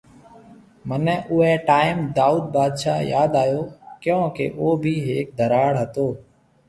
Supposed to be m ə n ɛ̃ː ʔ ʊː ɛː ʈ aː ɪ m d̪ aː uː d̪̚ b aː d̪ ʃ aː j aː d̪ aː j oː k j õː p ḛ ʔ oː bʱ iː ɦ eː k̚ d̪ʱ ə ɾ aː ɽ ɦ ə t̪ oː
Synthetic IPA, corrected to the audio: m ə n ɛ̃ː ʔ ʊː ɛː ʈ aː ɪ m d̪ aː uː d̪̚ b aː d̪ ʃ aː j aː d̪ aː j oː k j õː k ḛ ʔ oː bʱ iː ɦ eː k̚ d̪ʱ ə ɾ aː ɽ ɦ ə t̪ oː